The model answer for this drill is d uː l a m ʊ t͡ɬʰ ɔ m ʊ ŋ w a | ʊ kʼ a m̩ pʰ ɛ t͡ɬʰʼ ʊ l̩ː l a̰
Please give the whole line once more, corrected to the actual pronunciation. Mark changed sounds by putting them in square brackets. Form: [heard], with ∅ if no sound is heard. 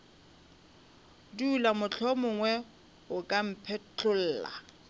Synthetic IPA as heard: d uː l a m ʊ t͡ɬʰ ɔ m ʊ ŋ w [ɛ] | ʊ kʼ a m̩ pʰ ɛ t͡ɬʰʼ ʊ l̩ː l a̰